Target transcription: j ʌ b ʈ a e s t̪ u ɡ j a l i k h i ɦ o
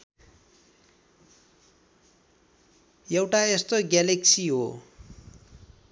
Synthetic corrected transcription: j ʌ w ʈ a e s t̪ o ɡ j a l e k s i ɦ o

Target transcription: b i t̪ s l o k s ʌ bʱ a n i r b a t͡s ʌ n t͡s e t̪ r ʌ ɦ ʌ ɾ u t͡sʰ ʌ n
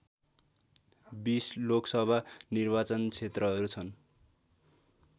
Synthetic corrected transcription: b i s l o k s ʌ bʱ a n i r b a t͡s ʌ n t͡sʰ e t̪ r ʌ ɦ ʌ ɾ u t͡sʰ ʌ n

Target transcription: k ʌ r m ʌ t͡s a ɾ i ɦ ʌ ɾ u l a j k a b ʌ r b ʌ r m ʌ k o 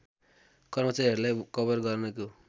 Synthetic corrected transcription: k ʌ r m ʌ t͡s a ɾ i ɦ ʌ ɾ u l a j k ʌ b ʌ r ɡ ʌ r n ʌ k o

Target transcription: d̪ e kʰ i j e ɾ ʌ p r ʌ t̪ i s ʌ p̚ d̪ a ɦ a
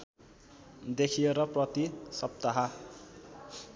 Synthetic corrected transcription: d̪ e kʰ i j e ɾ ʌ p r ʌ t̪ i s ʌ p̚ t̪ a ɦ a

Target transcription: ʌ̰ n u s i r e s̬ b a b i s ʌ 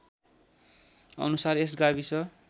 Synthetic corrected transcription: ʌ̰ n u s a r e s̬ ɡ a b i s ʌ

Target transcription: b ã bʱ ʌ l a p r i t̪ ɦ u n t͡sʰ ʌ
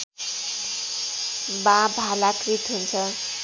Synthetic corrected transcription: b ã bʱ a l a k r i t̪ ɦ u n t͡sʰ ʌ

